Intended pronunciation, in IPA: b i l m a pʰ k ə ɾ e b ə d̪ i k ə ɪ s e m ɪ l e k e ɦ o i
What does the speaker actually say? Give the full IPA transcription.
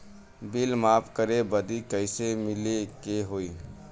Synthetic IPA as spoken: b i l m a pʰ k ə ɾ e b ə d̪ i k ə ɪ s e m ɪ l e k e ɦ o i